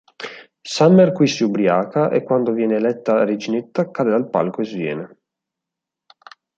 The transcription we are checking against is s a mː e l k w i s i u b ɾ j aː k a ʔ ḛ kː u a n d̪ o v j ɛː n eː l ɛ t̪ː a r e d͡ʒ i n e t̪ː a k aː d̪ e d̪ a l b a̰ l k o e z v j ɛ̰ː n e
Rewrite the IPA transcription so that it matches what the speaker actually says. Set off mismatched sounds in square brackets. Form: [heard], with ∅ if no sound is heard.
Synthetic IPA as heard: s a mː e [r] k w i s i u b ɾ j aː k a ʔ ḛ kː [w] a n d̪ o v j ɛː n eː l ɛ t̪ː a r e d͡ʒ i n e t̪ː a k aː d̪ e d̪ a l [p] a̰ l k o e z v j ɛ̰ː n e